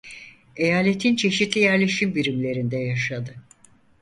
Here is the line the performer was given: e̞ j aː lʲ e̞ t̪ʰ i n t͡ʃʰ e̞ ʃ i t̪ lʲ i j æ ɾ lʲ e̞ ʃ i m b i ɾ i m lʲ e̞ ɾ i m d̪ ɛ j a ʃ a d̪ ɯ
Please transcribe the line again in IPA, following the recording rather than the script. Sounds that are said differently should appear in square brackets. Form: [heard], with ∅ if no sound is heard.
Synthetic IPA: e̞ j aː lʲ e̞ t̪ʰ i n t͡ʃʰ e̞ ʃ i t̪ lʲ i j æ ɾ lʲ e̞ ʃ i m b i ɾ i m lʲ e̞ ɾ i [n] d̪ ɛ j a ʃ a d̪ ɯ